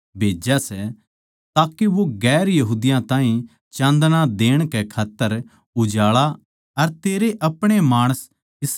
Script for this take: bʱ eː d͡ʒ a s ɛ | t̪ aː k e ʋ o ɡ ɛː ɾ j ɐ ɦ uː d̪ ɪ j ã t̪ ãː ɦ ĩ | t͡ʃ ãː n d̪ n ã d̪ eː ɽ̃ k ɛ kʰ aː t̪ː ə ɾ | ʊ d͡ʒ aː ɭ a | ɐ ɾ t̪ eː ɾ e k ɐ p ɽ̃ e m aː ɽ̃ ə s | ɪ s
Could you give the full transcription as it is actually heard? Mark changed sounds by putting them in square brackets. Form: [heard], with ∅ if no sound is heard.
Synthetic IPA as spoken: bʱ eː d͡ʒ a s ɛ | t̪ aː k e ʋ o ɡ ɛː ɾ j ɐ ɦ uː d̪ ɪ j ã t̪ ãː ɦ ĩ | t͡ʃ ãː n d̪ n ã d̪ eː ɽ̃ k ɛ kʰ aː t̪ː ə ɾ | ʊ d͡ʒ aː ɭ a | ɐ ɾ t̪ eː ɾ e [ʔ] ɐ p ɽ̃ e m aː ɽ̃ ə s | ɪ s